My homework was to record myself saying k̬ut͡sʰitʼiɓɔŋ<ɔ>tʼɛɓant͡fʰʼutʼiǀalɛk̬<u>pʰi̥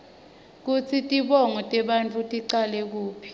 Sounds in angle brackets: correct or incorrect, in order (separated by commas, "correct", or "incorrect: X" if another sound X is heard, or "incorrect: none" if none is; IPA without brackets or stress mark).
correct, incorrect: uː